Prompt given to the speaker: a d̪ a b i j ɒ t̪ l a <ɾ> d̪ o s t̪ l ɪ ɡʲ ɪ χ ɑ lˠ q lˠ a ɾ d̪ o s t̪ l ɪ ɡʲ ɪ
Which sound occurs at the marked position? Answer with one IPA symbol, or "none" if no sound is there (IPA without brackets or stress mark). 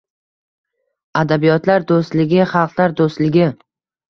ɾ